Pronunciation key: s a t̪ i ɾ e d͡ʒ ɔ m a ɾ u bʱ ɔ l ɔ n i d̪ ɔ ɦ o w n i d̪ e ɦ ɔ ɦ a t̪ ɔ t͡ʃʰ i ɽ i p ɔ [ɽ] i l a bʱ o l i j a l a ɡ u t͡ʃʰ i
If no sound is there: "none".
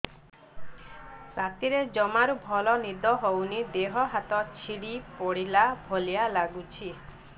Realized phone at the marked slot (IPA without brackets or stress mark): ɽ